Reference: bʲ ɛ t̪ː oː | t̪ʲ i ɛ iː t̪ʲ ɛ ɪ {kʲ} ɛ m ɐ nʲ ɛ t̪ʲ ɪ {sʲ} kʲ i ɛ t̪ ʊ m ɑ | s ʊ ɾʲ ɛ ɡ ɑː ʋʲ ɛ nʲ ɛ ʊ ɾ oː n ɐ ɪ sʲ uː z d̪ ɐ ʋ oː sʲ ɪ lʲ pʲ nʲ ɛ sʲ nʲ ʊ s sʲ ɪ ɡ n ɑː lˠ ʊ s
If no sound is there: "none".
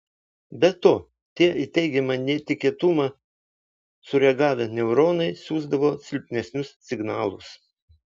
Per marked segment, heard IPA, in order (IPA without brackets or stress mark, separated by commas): ɡʲ, none